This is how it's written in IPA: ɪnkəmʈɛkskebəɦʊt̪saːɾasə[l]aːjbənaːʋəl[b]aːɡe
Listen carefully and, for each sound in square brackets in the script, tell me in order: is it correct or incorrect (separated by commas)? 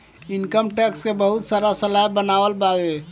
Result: correct, correct